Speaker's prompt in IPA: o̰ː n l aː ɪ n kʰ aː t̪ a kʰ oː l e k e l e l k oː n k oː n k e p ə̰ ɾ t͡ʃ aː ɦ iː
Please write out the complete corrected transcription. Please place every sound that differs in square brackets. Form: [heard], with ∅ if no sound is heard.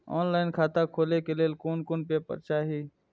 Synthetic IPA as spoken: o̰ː n l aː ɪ n kʰ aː t̪ a kʰ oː l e k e l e l k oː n k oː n [p] e p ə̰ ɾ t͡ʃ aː ɦ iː